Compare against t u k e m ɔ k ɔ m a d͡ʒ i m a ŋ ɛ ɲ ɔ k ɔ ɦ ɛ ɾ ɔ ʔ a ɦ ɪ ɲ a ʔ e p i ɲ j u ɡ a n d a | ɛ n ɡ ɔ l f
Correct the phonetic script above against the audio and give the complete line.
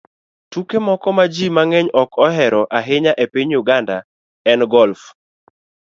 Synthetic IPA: t u k e m ɔ k ɔ m a d͡ʒ i m a ŋ ɛ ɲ ɔ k ɔ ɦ ɛ ɾ ɔ ʔ a ɦ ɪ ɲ a ʔ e p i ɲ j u ɡ a n d a | ɛ n ɡ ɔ l f